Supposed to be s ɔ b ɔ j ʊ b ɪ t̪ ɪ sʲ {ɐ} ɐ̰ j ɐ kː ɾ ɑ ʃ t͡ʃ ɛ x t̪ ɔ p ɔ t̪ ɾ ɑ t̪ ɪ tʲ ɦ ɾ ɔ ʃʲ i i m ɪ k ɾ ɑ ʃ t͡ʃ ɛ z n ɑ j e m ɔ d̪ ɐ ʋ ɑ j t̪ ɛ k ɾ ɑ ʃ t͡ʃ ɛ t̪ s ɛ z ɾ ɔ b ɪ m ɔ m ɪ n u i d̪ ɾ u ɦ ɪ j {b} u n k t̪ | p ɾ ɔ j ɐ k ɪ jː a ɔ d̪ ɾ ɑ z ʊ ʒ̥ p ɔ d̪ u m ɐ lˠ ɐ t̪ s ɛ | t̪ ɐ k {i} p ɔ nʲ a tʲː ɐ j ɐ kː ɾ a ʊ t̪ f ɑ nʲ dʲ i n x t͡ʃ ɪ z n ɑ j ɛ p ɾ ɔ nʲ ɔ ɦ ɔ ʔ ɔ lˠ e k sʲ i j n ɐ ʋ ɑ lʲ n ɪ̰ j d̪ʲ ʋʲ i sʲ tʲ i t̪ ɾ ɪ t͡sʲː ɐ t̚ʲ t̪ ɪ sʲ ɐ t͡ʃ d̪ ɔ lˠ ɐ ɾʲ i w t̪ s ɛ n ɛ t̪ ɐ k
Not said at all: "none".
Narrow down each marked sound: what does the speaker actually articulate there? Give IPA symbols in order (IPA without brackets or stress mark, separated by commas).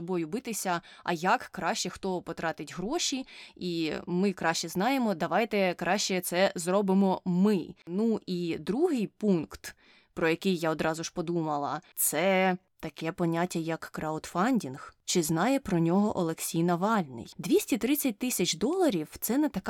ɐ, p, ɛ